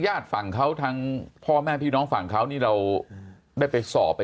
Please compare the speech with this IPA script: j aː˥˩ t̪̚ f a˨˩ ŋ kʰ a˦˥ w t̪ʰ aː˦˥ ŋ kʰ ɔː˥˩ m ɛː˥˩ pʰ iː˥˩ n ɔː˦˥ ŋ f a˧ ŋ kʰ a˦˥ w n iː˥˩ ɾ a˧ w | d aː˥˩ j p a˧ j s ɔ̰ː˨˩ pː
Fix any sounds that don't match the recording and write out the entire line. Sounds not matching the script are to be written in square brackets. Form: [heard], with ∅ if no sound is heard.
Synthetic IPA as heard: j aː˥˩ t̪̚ f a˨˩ ŋ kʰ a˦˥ w t̪ʰ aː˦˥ ŋ [pʰ] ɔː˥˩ m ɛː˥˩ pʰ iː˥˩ n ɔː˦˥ ŋ f [a˨˩] ŋ kʰ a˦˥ w n iː˥˩ ɾ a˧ w | d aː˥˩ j p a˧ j s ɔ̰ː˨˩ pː

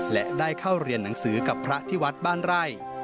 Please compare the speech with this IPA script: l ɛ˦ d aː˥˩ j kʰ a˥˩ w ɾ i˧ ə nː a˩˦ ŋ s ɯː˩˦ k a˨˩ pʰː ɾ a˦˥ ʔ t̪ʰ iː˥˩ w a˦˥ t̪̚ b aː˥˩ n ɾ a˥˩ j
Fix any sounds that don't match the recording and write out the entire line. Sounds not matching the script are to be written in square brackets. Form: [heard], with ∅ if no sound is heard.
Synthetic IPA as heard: l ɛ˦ d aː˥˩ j kʰ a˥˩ w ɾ i˧ ə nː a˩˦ ŋ s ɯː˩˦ k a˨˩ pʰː ɾ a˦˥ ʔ t̪ʰ iː˥˩ w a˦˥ t̪̚ b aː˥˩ n ɾ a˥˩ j

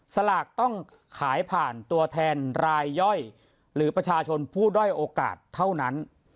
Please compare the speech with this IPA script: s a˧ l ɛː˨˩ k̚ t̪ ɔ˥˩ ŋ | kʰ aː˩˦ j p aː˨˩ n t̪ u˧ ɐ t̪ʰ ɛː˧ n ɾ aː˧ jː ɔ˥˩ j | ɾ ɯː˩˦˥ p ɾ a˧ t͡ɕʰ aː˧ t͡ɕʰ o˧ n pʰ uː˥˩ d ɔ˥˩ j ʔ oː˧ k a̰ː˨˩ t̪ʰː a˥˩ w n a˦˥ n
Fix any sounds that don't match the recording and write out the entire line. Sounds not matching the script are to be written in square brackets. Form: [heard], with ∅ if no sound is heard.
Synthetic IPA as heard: s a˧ l [aː˨˩] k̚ t̪ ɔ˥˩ ŋ | kʰ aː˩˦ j [pʰ] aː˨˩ n t̪ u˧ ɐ t̪ʰ ɛː˧ n ɾ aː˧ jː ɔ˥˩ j | ɾ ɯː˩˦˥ p ɾ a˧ t͡ɕʰ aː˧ t͡ɕʰ o˧ n pʰ uː˥˩ d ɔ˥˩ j ʔ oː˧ k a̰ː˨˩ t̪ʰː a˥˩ w n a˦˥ n

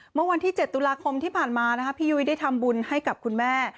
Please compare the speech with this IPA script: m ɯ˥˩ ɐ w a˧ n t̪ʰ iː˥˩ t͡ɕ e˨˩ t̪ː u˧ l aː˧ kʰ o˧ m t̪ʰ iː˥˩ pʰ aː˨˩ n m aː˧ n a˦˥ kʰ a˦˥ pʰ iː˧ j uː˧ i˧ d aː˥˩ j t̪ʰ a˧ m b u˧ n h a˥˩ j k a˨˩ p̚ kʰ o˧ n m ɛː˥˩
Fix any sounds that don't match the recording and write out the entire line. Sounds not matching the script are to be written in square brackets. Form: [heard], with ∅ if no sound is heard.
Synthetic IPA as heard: m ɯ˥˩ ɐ w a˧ n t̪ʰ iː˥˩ t͡ɕ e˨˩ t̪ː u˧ l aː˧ kʰ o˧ m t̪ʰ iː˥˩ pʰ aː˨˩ n m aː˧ n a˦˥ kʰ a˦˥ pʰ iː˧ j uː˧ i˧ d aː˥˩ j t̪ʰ a˧ m b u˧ n h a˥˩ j k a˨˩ p̚ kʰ [u˧] n m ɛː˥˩

